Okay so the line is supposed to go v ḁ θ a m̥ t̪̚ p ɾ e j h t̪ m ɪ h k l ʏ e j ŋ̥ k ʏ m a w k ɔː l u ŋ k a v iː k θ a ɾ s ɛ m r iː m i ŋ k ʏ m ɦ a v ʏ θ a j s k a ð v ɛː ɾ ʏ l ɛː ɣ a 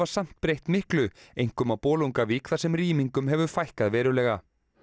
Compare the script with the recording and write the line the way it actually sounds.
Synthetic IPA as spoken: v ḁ s a m̥ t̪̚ p ɾ e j h t̪ m ɪ h k l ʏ e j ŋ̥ k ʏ m a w p ɔː l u ŋ k a v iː k θ a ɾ s ɛ m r iː m i ŋ k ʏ m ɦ ɛ v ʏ f a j h k a ð v ɛː ɾ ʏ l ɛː ɣ a